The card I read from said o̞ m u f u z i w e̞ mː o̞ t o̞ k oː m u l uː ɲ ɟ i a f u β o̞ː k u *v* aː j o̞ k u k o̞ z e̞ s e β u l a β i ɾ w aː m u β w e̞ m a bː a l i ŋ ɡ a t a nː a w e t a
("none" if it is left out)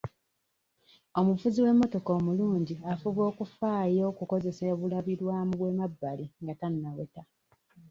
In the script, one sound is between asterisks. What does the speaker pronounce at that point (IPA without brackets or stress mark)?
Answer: f